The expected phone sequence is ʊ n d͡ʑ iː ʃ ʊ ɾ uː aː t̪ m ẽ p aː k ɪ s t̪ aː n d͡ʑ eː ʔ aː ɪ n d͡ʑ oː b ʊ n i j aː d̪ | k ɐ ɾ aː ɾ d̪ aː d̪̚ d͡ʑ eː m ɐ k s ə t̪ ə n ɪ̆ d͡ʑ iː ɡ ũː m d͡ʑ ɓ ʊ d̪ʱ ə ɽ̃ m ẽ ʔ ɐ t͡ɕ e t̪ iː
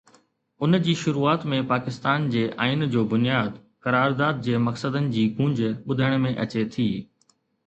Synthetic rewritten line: ʊ n d͡ʑ iː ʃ ʊ ɾ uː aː t̪ m ẽ p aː k ɪ s t̪ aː n d͡ʑ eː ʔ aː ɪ n d͡ʑ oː b ʊ n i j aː d̪ | k ɐ ɾ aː ɾ d̪ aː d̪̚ d͡ʑ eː m ɐ k s ə d̪ ə n ɪ̆ d͡ʑ iː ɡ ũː ɲ d͡ʑ ɓ ʊ d̪ʱ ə ɽ̃ m ẽ ʔ ɐ t͡ɕ e t̪ʰ iː